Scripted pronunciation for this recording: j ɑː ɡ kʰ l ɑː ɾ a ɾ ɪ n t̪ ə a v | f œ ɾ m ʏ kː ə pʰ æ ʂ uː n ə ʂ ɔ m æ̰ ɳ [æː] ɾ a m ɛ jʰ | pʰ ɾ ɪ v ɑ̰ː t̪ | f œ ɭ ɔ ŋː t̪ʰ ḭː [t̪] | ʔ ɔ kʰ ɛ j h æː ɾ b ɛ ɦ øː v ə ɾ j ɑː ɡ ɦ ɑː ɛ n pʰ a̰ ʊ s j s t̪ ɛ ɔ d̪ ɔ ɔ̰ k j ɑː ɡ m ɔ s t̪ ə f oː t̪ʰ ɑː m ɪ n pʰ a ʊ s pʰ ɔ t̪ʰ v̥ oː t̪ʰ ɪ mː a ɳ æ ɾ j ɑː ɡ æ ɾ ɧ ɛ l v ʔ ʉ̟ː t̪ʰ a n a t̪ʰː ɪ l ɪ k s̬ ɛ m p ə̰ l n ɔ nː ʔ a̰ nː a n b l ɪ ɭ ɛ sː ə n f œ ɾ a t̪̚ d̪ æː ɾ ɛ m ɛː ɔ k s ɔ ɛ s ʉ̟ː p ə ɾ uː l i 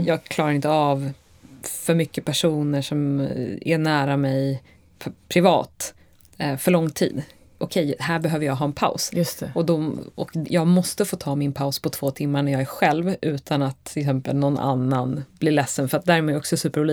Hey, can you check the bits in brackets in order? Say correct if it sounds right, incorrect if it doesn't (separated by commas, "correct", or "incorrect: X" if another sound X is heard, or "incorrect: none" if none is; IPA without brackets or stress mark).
correct, incorrect: d̪